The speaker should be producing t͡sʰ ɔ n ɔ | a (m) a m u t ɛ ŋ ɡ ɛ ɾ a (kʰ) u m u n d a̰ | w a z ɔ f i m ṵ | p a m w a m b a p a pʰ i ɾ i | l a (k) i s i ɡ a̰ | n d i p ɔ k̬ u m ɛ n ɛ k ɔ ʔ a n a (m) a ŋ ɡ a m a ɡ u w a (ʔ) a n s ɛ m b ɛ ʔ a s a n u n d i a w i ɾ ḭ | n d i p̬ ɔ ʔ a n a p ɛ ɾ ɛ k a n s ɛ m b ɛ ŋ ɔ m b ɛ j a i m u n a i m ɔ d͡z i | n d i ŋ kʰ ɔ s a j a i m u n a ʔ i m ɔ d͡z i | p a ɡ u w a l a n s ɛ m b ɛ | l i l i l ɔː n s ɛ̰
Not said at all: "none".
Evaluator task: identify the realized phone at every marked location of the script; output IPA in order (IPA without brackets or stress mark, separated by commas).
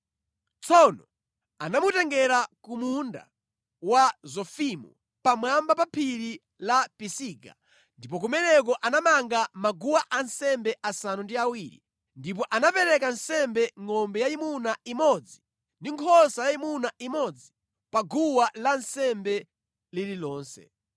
n, k, p, m, ʔ